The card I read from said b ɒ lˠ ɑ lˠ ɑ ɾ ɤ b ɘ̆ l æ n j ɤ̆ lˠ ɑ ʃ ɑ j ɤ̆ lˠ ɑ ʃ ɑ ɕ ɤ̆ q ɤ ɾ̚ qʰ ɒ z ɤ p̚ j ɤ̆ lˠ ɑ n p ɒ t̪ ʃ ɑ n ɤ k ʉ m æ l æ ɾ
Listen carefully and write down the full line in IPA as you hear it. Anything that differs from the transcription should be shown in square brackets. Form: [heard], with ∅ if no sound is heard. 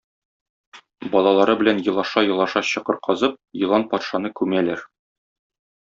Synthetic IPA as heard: b ɒ lˠ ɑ lˠ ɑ ɾ ɤ b ɘ̆ l æ n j ɤ̆ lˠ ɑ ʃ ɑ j ɤ̆ lˠ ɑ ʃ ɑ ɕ ɤ̆ q ɤ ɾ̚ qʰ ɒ z ɤ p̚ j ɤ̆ lˠ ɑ n p ɒ t̪ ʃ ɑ n ɤ k ʉ m æ l æ ɾ